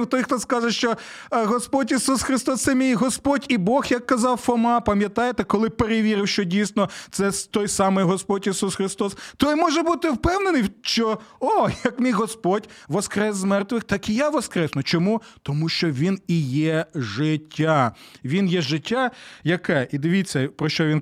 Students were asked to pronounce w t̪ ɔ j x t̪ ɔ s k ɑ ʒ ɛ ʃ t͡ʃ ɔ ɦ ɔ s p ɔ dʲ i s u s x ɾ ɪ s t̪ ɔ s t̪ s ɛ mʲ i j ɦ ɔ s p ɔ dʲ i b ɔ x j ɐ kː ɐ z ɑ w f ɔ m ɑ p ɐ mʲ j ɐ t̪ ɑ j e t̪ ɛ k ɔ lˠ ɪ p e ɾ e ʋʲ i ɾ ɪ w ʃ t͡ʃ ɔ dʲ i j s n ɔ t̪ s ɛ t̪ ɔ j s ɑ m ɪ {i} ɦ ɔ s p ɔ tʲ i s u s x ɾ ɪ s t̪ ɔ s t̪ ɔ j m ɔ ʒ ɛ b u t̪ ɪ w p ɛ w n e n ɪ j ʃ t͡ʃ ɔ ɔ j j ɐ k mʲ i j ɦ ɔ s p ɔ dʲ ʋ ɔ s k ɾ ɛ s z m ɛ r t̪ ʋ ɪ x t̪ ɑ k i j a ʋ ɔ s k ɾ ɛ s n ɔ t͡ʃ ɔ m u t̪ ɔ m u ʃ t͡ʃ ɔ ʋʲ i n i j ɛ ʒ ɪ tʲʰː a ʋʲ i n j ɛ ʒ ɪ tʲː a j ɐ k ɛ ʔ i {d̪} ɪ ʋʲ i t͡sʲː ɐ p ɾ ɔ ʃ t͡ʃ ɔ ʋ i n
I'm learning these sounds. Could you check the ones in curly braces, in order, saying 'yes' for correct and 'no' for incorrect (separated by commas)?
no, yes